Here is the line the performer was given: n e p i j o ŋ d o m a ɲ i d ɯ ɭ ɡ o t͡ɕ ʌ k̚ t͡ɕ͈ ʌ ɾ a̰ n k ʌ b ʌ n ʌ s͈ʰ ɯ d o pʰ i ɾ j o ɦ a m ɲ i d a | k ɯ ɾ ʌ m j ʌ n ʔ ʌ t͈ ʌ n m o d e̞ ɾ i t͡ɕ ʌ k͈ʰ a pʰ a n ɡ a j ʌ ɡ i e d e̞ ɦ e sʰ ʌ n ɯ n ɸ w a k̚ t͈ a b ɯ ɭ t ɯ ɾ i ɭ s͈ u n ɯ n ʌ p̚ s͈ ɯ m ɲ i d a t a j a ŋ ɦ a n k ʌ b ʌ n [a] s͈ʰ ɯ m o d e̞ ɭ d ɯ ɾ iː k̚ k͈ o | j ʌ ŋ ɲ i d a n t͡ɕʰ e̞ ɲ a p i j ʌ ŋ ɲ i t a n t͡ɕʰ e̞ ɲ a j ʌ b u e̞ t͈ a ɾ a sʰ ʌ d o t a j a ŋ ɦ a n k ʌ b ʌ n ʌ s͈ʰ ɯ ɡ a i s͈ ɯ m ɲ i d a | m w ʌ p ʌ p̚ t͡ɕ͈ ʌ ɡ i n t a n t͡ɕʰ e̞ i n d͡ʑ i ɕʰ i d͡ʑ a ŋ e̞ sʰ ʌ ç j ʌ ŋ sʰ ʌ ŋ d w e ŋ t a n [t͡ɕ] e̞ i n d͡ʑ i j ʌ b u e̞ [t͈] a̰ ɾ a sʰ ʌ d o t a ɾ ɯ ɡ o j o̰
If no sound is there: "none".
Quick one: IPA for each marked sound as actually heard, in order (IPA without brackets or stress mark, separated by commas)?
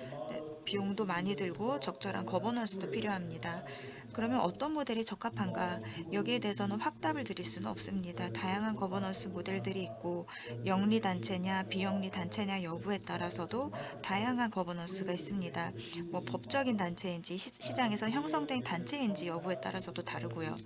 ʌ, t͡ɕʰ, t͈